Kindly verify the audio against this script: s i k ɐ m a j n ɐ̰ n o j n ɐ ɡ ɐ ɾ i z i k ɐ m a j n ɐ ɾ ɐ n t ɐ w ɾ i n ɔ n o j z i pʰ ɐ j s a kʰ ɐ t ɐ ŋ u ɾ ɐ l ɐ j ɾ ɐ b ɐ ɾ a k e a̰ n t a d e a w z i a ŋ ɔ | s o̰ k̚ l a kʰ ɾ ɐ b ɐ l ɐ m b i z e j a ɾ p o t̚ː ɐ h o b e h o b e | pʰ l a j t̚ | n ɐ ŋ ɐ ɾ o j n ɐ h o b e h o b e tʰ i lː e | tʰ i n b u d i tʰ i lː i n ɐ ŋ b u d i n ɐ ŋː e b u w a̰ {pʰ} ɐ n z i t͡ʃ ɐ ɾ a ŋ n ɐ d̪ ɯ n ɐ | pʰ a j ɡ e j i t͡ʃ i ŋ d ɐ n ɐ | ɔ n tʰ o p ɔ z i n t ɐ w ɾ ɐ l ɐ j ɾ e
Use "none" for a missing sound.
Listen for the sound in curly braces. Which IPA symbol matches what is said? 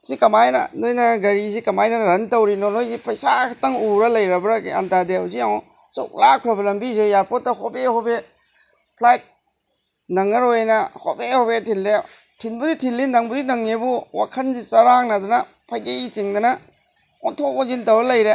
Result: kʰ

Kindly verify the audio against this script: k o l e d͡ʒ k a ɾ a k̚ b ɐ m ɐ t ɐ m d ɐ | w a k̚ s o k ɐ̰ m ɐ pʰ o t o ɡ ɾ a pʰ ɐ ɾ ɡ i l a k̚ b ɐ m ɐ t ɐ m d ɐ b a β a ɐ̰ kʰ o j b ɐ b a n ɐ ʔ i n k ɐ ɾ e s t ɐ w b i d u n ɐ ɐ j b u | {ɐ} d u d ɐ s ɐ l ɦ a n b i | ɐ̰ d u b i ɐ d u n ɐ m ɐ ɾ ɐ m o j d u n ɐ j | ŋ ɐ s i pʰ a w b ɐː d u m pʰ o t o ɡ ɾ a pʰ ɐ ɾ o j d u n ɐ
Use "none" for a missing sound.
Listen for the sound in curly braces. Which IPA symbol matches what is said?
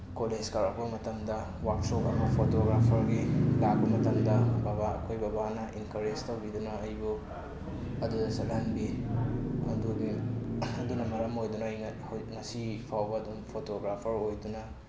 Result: ɐ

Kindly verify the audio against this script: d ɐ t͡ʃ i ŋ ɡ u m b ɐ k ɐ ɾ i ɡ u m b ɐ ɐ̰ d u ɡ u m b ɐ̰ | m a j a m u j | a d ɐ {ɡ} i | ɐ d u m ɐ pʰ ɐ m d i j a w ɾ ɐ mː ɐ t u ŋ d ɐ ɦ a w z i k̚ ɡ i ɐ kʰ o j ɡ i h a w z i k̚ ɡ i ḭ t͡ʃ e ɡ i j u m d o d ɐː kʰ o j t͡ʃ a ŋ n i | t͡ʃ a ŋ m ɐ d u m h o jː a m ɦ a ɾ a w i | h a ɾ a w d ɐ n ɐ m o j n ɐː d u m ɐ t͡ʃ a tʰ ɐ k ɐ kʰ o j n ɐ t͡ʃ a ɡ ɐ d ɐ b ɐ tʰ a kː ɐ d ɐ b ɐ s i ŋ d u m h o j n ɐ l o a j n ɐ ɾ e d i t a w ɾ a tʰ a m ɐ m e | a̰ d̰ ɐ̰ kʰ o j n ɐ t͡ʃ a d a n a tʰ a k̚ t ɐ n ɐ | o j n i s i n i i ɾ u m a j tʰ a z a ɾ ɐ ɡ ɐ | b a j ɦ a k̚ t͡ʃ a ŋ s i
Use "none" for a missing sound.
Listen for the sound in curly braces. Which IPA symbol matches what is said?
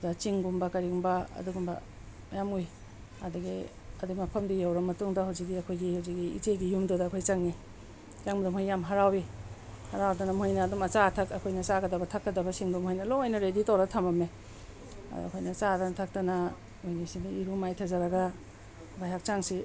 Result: ɡ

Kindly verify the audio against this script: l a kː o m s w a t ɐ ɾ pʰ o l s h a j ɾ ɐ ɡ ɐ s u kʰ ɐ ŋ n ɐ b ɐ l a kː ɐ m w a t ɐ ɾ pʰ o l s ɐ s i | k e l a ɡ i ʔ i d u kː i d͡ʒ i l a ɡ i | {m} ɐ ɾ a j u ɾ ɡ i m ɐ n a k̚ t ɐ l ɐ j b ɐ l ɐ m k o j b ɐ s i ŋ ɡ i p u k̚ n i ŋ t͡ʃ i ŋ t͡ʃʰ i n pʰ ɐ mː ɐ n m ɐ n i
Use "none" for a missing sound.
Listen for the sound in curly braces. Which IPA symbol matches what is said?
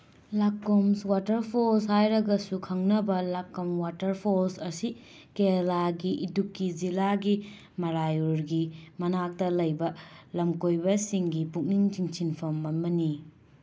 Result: m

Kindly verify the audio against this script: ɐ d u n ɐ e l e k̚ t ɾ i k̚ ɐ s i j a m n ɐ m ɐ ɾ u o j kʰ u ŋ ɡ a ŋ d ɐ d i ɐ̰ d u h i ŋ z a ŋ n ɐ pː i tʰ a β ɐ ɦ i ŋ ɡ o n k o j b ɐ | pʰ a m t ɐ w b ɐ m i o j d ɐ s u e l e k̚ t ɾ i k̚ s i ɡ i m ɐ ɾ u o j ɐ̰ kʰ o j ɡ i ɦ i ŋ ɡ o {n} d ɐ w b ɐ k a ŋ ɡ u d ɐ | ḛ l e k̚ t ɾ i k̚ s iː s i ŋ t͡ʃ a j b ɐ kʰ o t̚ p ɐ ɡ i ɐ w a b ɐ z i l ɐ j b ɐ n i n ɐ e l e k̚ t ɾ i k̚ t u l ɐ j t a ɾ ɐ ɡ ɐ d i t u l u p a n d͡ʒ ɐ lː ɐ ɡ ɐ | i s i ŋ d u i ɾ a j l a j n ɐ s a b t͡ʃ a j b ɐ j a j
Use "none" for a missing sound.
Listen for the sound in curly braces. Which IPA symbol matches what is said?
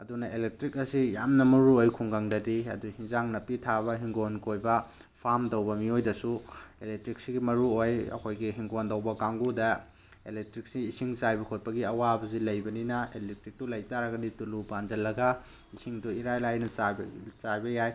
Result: n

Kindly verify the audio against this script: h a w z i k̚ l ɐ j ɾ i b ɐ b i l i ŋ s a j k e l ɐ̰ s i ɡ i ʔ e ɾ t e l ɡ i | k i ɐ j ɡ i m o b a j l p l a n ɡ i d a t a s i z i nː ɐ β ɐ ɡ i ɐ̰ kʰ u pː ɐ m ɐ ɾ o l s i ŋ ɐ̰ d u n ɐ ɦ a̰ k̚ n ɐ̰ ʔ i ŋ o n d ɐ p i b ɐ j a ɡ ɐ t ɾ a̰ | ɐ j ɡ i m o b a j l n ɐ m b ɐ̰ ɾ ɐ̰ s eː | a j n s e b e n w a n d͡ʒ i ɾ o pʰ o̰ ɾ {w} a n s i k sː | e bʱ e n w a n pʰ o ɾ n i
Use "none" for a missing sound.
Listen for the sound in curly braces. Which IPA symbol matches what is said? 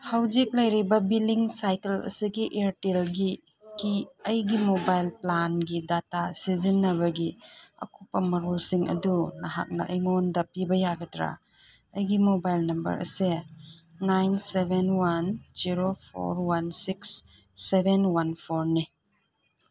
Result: w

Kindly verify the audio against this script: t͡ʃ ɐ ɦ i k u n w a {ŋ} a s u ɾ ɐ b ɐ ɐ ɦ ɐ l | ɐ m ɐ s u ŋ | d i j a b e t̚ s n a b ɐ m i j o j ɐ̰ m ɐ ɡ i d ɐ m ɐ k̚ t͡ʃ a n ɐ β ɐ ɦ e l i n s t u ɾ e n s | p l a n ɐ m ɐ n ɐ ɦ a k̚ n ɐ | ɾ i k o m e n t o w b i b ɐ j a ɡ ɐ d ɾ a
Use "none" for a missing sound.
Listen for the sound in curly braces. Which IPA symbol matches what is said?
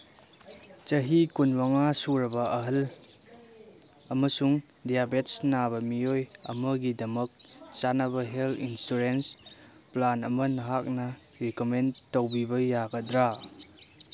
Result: ŋ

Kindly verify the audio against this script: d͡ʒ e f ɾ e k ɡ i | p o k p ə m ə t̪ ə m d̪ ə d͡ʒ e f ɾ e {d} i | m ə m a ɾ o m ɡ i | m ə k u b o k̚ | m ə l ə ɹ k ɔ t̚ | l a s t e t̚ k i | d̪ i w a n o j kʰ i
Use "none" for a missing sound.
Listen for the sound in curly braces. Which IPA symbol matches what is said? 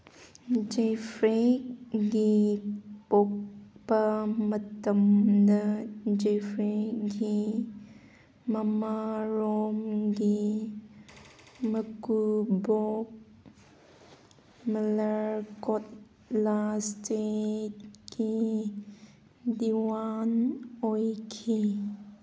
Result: ɡ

